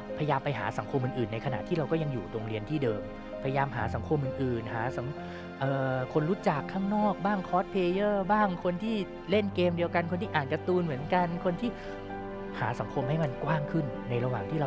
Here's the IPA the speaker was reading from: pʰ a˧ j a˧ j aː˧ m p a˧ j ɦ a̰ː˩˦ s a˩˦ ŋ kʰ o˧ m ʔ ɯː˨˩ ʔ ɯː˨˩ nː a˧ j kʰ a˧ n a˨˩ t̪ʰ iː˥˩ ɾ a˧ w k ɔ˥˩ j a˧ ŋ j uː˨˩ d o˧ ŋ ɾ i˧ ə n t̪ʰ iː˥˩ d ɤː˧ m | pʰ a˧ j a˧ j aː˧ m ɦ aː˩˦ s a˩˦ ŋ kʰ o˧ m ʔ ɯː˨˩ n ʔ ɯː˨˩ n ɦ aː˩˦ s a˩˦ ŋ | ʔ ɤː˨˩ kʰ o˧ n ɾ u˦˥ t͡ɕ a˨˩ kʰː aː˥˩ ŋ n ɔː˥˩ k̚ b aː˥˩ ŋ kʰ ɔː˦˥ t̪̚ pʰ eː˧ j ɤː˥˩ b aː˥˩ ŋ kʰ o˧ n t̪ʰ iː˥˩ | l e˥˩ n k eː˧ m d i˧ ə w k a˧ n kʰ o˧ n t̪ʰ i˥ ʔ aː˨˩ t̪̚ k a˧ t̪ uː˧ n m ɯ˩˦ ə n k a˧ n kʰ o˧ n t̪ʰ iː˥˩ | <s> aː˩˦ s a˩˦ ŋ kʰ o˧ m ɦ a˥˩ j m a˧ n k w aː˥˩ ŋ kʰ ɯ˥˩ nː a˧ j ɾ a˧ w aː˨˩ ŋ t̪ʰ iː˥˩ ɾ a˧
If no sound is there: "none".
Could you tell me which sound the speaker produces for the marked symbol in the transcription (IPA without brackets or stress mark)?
h